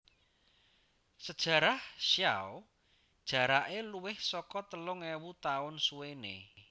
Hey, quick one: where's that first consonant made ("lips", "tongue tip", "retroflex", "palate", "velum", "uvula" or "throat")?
tongue tip